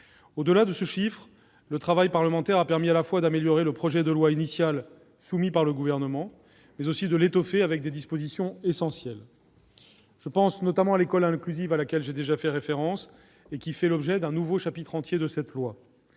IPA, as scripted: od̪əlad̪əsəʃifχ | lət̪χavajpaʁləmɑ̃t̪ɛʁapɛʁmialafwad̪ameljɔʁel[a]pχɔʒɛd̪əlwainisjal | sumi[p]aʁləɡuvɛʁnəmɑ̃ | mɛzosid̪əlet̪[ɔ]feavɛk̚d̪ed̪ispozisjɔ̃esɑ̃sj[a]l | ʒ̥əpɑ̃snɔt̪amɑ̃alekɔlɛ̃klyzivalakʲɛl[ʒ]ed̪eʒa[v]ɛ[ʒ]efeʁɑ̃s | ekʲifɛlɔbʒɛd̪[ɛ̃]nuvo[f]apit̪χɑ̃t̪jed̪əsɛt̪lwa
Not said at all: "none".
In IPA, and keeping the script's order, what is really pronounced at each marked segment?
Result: ə, p, ɔ, ɛ, ʒ, f, ʁ, ɛ̃, ʃ

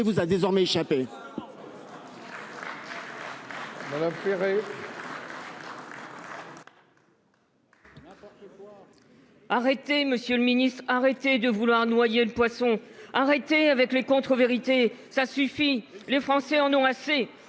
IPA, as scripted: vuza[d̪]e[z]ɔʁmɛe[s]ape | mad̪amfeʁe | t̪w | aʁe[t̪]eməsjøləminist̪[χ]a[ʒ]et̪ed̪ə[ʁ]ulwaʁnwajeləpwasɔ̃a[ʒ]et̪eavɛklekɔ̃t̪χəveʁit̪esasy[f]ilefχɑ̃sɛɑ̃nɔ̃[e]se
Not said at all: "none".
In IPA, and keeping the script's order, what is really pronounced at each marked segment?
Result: d̪, z, ʃ, t̪, χ, ʁ, v, ʁ, f, a

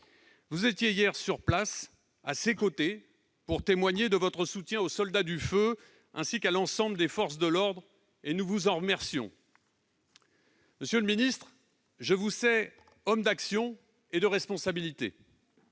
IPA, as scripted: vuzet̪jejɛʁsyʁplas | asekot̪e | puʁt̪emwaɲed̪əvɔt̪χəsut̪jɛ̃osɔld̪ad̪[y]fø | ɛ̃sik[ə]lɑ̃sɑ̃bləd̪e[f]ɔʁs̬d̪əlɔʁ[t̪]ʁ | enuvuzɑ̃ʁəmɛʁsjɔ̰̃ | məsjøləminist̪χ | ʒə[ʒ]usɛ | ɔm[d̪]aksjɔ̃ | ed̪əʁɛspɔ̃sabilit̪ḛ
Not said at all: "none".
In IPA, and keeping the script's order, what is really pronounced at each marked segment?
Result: y, a, f, d̪, v, d̪

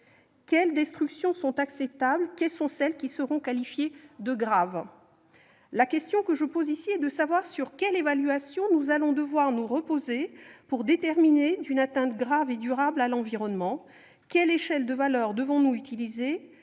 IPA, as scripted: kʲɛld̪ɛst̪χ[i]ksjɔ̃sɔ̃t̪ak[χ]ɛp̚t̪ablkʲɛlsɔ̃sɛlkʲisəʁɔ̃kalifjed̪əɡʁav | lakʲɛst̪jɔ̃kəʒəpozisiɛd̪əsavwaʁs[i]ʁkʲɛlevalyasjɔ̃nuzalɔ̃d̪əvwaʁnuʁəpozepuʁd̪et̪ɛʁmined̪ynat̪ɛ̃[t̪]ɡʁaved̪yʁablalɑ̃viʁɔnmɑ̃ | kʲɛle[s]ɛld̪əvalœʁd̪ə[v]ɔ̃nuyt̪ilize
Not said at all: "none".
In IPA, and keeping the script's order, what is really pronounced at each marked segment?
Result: y, s, y, t̪, ʃ, v

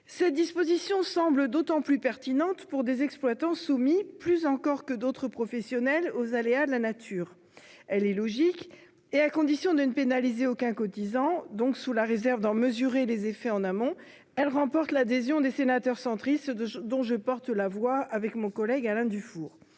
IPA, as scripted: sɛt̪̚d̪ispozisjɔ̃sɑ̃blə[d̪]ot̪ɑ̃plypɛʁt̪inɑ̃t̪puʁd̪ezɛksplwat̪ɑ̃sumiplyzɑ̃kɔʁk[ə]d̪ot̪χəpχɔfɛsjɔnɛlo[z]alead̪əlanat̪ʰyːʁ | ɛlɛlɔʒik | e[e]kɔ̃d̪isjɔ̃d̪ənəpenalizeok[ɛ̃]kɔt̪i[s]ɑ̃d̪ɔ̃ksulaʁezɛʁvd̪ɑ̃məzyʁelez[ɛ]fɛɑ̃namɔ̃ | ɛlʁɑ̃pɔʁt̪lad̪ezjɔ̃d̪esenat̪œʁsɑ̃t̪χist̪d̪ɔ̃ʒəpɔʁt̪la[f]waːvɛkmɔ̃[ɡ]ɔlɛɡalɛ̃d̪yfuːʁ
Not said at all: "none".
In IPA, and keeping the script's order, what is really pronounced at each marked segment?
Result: d̪, ə, z, a, ɛ̃, z, e, v, k

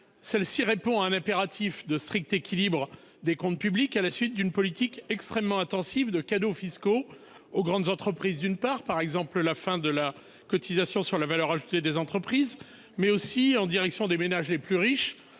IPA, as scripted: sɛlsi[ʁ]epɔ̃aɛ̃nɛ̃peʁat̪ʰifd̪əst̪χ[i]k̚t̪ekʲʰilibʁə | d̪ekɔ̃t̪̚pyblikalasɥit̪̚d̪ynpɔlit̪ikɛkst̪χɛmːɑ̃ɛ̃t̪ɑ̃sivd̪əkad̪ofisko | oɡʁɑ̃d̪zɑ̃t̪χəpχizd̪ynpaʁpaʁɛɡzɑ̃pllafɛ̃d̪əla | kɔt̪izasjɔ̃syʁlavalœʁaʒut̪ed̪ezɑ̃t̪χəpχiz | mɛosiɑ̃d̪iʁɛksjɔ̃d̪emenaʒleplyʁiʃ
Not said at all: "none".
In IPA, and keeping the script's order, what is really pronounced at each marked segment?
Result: ʁ, i

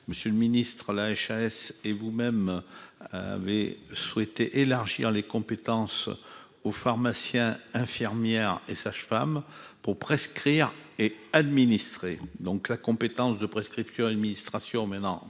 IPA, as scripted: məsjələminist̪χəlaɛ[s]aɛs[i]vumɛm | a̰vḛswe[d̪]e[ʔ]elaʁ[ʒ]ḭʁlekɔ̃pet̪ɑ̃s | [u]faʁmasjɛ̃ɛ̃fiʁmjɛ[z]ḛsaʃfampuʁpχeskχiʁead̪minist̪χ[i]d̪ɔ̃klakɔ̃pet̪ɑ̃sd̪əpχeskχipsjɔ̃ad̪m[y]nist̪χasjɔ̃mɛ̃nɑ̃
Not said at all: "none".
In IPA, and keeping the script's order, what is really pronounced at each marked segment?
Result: ʃ, e, t̪, ʔ, ʒ, o, ʁ, e, i

